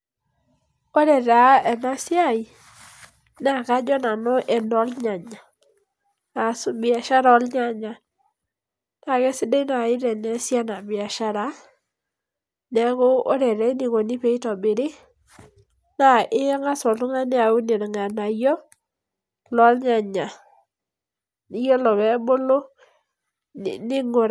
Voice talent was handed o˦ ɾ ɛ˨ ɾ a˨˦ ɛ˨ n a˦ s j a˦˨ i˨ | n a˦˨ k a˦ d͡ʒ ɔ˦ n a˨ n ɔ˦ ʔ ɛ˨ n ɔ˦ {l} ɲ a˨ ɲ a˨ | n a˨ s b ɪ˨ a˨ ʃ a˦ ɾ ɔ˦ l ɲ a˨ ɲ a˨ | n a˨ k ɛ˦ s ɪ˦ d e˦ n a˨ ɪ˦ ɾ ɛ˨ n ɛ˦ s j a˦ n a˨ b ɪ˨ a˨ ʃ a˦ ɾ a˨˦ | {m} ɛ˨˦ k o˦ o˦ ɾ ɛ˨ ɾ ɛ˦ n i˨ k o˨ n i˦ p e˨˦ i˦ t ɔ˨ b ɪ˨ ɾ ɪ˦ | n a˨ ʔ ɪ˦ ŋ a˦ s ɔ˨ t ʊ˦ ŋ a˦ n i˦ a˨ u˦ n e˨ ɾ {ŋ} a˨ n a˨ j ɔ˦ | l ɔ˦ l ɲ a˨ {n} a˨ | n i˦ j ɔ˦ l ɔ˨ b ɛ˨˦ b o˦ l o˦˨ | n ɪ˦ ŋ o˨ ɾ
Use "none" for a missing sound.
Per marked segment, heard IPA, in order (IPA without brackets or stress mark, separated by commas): l, n, ŋ, ɲ